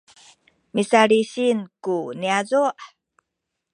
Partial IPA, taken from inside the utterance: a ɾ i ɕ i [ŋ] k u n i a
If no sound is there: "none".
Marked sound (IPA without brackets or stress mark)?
n